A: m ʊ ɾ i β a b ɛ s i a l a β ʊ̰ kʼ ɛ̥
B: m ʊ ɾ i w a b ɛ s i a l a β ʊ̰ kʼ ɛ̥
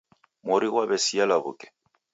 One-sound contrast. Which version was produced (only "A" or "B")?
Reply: B